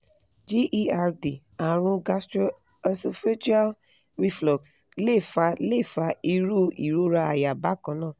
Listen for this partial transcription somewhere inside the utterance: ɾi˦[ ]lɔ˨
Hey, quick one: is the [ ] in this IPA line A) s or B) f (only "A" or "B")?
B